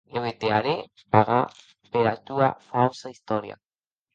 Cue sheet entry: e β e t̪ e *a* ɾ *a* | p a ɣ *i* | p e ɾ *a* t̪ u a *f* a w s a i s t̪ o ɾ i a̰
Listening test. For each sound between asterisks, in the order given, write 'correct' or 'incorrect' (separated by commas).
correct, incorrect, incorrect, correct, correct